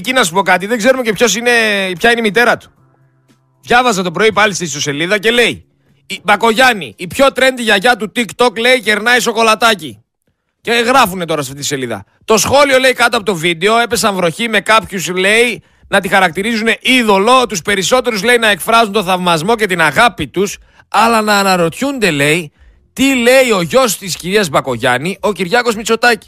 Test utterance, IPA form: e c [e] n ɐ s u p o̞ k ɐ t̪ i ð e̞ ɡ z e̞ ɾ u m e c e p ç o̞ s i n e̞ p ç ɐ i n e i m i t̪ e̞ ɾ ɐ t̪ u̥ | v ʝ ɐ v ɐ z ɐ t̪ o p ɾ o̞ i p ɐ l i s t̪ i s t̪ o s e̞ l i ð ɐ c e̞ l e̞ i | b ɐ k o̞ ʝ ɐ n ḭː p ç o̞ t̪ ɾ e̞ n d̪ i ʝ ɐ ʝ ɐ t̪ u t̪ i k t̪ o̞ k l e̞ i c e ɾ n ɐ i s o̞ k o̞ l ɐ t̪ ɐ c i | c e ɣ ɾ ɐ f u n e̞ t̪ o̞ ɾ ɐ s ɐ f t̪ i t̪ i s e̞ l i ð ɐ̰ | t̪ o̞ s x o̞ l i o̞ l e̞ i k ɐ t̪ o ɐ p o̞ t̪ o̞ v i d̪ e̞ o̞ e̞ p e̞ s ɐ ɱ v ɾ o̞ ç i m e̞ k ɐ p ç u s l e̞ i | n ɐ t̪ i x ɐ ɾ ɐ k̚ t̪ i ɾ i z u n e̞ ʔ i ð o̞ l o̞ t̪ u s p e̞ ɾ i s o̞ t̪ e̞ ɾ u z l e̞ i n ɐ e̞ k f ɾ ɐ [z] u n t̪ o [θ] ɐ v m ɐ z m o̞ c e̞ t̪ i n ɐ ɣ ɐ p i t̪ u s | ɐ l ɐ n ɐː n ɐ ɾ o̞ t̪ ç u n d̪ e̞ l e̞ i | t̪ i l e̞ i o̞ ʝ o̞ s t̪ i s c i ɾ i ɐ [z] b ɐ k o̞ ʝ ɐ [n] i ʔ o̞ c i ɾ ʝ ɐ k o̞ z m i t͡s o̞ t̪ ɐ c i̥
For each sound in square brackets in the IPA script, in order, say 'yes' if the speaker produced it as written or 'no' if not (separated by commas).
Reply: no, yes, yes, yes, yes